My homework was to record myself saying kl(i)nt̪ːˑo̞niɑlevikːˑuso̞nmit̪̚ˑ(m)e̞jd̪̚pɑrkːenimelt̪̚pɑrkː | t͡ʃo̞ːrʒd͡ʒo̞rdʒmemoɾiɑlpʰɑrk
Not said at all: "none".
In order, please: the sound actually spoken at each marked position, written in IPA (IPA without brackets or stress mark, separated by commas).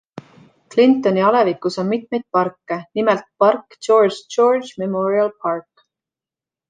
i, m